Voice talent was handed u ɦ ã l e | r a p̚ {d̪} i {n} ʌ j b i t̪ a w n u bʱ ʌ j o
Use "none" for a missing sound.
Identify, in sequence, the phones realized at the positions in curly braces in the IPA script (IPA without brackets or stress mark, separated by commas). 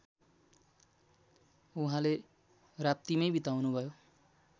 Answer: t̪, m